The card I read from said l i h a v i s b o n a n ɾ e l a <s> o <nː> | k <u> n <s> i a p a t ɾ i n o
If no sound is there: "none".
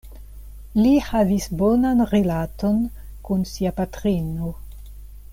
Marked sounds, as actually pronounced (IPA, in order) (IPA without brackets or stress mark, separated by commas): t, n, u, s